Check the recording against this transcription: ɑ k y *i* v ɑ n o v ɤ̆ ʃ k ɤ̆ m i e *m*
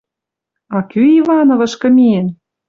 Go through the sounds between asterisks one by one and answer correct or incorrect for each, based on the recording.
correct, incorrect: n

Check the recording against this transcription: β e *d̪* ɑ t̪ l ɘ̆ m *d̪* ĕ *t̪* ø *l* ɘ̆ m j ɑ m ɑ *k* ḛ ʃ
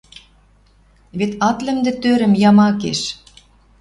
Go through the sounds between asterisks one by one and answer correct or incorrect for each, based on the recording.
incorrect: t̪, correct, correct, incorrect: ɾ, correct

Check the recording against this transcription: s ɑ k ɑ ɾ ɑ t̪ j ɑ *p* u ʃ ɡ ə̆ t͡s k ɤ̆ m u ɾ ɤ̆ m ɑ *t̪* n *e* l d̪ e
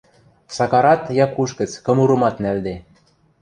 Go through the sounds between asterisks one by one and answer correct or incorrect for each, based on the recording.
incorrect: k, correct, incorrect: æ

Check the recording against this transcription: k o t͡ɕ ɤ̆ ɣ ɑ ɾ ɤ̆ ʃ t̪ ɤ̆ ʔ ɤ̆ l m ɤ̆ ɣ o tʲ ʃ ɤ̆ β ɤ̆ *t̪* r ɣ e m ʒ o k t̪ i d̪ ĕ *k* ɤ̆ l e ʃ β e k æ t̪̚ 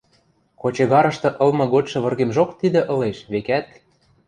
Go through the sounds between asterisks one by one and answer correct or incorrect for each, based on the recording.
incorrect: none, incorrect: ʔ

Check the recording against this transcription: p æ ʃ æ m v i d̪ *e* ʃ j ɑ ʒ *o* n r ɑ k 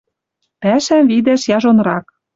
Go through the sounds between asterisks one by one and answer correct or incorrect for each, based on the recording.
incorrect: æ, correct

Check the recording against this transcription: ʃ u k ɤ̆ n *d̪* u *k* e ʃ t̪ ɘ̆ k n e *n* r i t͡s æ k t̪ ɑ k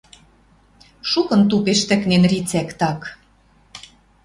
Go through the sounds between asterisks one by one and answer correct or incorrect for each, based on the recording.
incorrect: t̪, incorrect: p, correct

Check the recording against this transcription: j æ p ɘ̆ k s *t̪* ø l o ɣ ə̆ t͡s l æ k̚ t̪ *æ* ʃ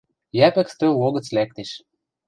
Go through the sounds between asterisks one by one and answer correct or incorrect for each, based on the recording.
correct, incorrect: e

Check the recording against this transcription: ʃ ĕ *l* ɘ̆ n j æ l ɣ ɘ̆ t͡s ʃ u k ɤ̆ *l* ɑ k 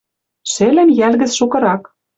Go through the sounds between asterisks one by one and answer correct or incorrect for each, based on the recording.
correct, incorrect: ɾ

